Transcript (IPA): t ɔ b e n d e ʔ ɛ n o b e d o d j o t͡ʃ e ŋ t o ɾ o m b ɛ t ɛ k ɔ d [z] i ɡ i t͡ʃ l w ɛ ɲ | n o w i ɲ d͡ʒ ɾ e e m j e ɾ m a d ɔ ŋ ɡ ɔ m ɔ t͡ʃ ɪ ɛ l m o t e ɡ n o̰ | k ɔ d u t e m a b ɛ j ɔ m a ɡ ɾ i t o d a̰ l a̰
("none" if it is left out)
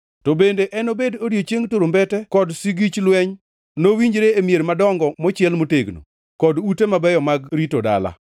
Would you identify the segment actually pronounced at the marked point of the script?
s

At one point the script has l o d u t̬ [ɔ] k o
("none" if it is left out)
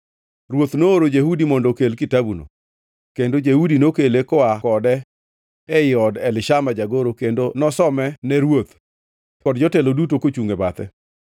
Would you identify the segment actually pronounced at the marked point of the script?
o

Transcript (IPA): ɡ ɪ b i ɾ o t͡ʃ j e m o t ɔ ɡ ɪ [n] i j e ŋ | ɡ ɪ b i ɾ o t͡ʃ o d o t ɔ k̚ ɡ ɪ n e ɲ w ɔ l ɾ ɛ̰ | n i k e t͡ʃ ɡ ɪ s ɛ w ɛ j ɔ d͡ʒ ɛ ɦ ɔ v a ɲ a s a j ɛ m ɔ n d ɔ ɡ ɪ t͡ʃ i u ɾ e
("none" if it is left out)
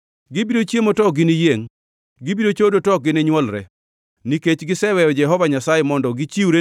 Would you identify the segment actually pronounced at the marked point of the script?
n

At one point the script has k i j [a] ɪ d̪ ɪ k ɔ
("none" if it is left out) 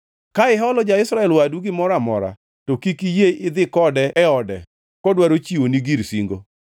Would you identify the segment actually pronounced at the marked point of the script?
e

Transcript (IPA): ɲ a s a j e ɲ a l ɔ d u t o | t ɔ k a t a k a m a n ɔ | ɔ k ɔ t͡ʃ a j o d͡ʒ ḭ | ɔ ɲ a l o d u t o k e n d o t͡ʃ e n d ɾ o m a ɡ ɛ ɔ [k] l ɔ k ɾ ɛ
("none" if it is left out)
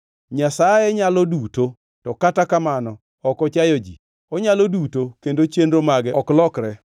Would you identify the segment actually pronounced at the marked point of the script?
k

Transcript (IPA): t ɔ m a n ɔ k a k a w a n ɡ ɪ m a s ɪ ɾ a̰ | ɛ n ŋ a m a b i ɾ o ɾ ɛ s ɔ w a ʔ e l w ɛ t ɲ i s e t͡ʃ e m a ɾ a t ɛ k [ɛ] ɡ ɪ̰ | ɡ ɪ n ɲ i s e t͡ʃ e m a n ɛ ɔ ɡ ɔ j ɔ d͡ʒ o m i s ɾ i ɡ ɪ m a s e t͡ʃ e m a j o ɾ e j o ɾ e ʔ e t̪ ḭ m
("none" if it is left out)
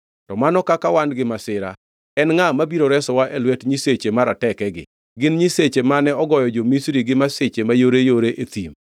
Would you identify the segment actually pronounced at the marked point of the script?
ɛ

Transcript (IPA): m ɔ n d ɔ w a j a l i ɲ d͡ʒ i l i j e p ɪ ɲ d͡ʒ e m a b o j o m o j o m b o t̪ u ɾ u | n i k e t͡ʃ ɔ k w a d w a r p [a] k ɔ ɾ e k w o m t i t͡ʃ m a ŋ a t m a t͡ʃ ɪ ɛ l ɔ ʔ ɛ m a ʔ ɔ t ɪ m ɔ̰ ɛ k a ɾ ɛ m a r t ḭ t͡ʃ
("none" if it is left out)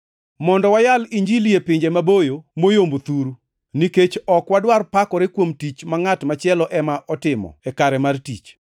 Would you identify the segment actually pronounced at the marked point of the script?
a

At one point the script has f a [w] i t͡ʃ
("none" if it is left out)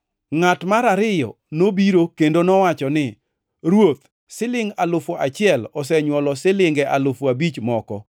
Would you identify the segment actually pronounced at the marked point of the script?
b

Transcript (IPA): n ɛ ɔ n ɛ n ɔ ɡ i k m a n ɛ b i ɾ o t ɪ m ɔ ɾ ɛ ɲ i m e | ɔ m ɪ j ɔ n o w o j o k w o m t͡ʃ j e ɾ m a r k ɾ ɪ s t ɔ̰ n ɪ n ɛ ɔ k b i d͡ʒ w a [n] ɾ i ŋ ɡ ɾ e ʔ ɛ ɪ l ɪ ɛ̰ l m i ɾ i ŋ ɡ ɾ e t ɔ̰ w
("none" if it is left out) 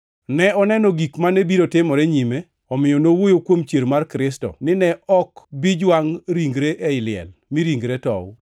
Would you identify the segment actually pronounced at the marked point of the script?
ŋ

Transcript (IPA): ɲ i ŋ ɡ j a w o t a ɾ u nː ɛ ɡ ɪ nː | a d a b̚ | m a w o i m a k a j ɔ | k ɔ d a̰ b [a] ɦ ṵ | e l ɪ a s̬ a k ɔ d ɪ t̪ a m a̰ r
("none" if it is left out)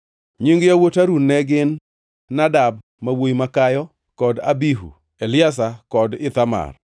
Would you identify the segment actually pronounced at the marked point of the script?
i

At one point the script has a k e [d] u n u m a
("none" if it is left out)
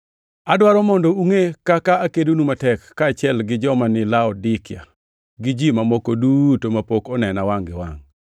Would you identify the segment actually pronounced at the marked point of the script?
d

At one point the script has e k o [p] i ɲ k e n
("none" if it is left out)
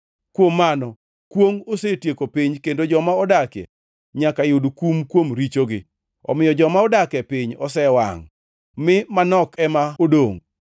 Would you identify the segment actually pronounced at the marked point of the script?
p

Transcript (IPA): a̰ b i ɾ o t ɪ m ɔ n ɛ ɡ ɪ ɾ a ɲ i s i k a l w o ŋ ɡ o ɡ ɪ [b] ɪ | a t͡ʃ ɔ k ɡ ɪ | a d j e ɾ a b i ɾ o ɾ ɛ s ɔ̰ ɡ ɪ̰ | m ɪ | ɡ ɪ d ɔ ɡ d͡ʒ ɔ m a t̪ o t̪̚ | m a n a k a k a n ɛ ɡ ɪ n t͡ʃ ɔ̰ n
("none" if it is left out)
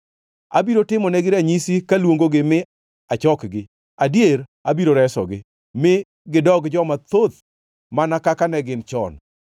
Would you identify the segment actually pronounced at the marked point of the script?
m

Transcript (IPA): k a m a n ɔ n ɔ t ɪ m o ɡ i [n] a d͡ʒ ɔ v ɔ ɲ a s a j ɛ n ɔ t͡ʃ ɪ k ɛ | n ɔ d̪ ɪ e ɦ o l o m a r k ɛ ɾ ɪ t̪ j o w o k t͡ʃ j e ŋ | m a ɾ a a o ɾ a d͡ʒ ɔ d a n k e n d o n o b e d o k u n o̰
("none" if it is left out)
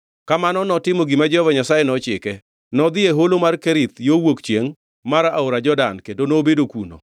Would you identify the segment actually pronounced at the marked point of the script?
m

